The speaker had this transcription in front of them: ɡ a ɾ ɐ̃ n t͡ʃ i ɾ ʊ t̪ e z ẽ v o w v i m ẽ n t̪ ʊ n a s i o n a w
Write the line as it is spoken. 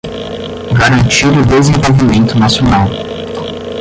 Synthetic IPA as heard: ɡ a ɾ ɐ̃ n t͡ʃ i ɾ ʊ d̪ e z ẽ v o w v i m ẽ n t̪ ʊ n a s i o n a w